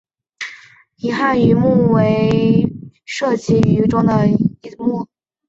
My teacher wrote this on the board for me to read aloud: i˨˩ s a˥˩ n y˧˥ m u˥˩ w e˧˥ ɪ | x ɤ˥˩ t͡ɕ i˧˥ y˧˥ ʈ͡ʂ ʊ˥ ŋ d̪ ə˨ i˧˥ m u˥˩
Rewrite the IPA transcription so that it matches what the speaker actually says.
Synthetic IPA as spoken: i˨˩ x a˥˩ n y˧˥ m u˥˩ w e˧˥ ɪ | ʂ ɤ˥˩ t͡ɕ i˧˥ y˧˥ ʈ͡ʂ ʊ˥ ŋ d̪ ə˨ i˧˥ m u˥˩

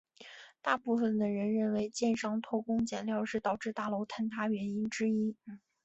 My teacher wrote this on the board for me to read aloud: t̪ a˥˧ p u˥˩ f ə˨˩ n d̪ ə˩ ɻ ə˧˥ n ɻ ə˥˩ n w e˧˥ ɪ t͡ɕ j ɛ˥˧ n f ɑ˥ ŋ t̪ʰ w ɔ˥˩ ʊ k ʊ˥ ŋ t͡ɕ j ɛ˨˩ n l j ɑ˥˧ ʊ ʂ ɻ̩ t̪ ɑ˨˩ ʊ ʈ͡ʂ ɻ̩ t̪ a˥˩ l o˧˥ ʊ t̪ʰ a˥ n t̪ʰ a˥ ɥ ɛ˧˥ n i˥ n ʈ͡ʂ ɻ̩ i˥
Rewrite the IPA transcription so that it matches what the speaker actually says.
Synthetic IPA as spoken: t̪ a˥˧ p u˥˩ f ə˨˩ n d̪ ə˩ ɻ ə˧˥ n ɻ ə˥˩ n w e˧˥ ɪ t͡ɕ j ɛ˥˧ n ʂ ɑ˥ ŋ t̪ʰ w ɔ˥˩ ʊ k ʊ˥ ŋ t͡ɕ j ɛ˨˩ n l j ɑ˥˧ ʊ ʂ ɻ̩ t̪ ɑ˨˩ ʊ ʈ͡ʂ ɻ̩ t̪ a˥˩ l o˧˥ ʊ t̪ʰ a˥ n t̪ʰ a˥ ɥ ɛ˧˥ n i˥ n ʈ͡ʂ ɻ̩ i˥

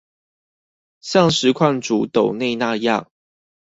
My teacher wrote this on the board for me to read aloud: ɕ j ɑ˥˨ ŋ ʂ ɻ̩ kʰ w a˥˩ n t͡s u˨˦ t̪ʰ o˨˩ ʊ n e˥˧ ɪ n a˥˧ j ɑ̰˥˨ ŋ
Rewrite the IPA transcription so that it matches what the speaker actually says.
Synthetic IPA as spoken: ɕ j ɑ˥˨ ŋ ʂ ɻ̩ kʰ w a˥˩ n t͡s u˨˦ t̪ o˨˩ ʊ n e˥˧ ɪ n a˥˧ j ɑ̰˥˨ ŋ

